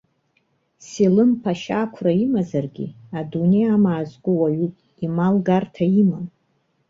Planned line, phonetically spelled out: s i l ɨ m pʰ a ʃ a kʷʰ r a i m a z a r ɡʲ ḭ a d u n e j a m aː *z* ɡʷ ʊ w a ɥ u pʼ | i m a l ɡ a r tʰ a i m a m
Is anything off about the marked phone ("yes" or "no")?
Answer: no